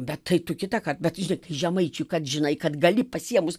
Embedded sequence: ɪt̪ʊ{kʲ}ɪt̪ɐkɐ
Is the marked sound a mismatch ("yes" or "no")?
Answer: no